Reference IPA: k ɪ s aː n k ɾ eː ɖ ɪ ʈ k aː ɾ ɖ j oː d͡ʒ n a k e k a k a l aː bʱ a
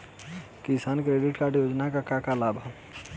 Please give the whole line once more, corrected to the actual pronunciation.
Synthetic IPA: k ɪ s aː n k ɾ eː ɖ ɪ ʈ k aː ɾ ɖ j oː d͡ʒ n a k a k a k a l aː bʱ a